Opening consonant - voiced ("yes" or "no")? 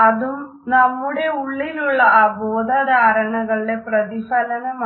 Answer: yes